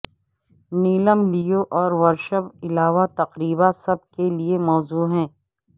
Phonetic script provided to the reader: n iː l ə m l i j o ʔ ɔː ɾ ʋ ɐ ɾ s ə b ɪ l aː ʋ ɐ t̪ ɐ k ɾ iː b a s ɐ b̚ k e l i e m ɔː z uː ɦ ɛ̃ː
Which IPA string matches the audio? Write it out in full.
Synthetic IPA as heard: n iː l ə m l i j o ʔ ɔː ɾ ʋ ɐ ɾ ʃ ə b ɪ l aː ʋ a t̪ ɐ q ɾ iː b a s ɐ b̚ k e l i e m ɔː z uː ɦ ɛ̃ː

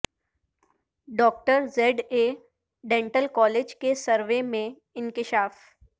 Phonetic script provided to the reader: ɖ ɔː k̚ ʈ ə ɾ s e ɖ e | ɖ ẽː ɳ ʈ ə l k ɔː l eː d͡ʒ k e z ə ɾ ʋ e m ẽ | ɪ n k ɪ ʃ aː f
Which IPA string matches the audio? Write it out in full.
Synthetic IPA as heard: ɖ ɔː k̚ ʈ ə ɾ z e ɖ e | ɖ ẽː ɳ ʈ ə l k ɔː l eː d͡ʒ k e s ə ɾ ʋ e m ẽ | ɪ n k ɪ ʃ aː f

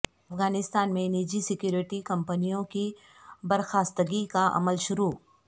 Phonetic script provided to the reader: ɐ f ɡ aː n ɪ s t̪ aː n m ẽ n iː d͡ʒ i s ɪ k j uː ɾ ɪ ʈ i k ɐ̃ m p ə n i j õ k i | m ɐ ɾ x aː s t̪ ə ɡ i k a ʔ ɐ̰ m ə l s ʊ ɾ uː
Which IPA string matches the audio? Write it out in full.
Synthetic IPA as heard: ɐ f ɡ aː n ɪ s t̪ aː n m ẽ n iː d͡ʒ i s ɪ k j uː ɾ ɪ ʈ i k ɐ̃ m p ə n i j õ k i | b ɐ ɾ x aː s t̪ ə ɡ i k a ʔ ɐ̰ m ə l ʃ ʊ ɾ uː

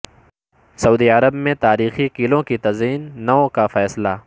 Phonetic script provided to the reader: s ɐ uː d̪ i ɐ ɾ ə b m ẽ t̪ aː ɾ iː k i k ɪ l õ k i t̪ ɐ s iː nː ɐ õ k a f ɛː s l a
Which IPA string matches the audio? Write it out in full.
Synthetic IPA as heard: s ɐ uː d̪ i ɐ ɾ ə b m ẽ t̪ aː ɾ iː x i k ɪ l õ k i t̪ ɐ z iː nː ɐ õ k a f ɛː s l a

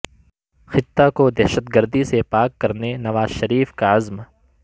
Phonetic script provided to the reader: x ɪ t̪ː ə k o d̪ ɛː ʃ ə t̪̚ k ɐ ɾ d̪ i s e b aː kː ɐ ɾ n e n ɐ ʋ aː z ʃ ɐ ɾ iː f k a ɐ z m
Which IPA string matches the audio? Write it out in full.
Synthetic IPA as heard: x ɪ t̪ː a k o d̪ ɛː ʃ ə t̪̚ ɡ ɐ ɾ d̪ i s e p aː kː ɐ ɾ n e n ɐ ʋ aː z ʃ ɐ ɾ iː f k a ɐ z m

